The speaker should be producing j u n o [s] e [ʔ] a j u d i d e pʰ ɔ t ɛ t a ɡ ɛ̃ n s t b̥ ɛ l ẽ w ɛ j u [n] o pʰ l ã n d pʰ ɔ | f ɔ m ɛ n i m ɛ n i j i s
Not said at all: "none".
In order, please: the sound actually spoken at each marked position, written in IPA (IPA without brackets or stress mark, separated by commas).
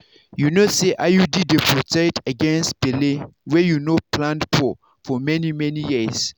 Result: s, ʔ, n